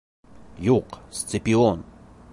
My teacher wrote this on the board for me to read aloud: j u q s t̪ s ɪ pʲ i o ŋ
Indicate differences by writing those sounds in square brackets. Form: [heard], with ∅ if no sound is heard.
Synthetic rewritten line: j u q s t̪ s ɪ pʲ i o [n]